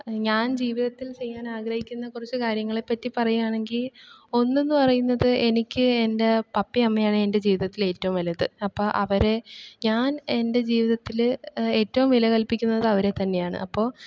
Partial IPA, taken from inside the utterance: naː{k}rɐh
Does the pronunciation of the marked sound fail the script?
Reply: yes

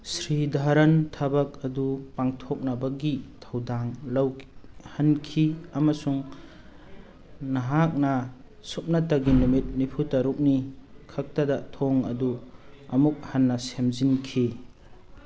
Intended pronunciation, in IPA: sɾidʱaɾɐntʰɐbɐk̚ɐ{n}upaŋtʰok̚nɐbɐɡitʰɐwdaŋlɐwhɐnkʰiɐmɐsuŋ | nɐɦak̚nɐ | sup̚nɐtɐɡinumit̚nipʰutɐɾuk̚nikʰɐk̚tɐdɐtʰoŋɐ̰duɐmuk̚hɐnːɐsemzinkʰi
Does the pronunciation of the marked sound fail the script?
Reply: yes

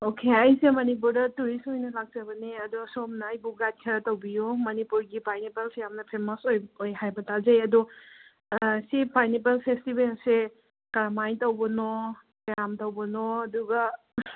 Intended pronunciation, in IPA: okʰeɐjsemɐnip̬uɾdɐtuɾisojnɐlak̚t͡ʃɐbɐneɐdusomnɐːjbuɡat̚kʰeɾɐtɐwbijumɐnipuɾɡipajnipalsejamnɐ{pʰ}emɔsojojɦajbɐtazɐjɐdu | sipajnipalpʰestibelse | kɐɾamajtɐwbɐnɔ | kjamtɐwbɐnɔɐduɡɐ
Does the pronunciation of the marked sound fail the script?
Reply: no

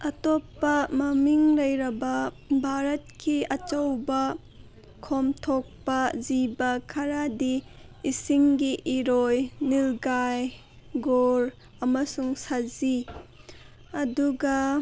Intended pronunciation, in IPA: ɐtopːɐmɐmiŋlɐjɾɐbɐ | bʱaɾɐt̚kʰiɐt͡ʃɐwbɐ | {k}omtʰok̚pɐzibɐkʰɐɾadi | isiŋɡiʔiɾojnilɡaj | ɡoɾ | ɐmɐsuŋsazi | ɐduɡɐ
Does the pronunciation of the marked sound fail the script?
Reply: yes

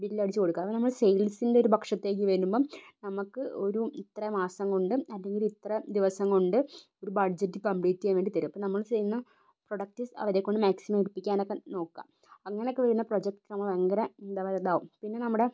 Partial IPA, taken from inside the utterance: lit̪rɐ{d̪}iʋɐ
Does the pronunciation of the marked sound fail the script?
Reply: no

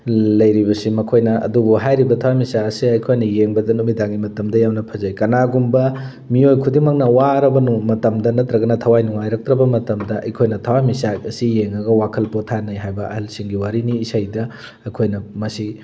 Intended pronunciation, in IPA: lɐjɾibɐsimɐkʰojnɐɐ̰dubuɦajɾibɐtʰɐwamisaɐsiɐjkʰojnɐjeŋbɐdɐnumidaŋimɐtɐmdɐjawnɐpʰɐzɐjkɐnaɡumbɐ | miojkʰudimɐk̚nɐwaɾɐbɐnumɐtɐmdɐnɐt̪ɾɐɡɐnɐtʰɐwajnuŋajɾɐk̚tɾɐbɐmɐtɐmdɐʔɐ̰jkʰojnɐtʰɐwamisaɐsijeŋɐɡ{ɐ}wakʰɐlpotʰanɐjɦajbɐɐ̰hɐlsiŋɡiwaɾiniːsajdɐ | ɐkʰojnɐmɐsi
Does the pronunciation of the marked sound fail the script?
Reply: no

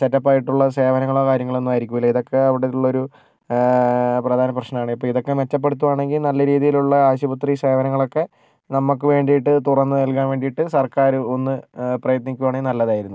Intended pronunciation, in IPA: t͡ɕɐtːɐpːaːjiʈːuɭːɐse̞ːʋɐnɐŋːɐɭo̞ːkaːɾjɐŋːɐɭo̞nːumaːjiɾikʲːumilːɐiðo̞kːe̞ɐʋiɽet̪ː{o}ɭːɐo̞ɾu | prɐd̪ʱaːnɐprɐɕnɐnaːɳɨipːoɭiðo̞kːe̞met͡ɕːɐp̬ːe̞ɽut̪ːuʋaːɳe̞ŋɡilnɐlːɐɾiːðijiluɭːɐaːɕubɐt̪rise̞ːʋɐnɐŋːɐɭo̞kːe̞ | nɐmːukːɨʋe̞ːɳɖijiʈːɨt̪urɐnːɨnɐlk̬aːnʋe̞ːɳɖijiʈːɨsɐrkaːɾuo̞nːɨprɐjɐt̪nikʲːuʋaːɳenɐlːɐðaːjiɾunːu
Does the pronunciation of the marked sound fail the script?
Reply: yes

